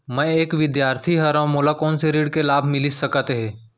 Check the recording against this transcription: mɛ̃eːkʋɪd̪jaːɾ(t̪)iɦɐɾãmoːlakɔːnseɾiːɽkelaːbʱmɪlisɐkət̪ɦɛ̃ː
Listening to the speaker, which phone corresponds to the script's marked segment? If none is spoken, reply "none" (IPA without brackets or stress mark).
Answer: t̪ʰ